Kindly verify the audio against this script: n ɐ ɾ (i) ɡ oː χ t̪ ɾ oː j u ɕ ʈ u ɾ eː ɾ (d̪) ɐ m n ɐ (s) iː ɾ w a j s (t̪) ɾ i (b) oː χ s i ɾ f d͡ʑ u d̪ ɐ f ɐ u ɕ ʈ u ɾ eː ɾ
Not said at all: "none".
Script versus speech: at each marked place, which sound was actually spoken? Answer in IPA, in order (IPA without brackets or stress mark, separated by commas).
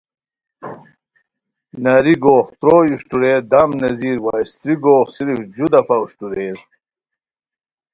i, d̪, z, t̪, ɡ